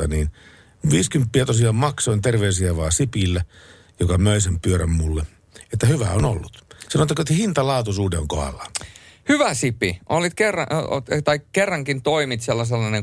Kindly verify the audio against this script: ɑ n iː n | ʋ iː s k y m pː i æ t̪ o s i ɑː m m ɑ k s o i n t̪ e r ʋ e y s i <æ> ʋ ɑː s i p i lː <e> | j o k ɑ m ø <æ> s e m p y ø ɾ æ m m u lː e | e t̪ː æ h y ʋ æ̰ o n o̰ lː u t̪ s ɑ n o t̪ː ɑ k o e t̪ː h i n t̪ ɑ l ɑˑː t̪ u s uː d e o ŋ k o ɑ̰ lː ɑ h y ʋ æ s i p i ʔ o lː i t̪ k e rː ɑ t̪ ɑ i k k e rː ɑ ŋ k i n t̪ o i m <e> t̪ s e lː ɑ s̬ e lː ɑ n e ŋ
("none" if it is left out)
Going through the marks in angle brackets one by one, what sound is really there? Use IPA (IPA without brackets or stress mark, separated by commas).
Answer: æ, æ, i, i